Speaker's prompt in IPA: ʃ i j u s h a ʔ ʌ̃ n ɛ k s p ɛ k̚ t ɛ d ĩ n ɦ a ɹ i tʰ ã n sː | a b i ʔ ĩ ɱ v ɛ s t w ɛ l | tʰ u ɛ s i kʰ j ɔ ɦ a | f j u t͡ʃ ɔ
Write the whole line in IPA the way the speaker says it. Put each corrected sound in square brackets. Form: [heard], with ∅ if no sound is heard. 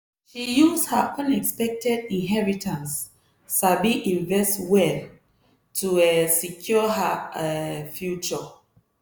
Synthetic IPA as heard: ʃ i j u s h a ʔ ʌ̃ n ɛ k s p ɛ k̚ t ɛ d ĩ n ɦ [ɛ] ɹ i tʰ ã n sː | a b i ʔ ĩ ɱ v ɛ s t w ɛ l | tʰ u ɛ s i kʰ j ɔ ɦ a | f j u t͡ʃ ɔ